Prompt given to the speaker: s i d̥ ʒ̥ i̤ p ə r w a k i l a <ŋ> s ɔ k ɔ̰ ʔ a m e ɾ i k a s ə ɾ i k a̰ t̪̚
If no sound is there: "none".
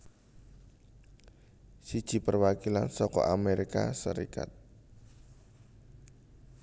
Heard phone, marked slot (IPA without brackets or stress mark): n